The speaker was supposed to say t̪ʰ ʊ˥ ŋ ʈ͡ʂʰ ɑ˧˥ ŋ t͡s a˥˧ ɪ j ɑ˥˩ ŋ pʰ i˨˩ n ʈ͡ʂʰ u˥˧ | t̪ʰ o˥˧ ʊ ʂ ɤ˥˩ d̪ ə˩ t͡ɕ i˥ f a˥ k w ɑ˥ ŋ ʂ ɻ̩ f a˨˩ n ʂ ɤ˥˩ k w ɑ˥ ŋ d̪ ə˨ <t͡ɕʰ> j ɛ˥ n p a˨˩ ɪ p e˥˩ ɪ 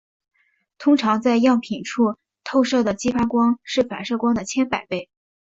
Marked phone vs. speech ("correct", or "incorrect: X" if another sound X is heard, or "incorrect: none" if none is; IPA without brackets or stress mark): correct